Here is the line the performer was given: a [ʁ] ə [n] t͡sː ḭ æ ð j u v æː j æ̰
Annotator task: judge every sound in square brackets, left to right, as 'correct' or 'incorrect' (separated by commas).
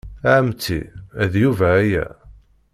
incorrect, incorrect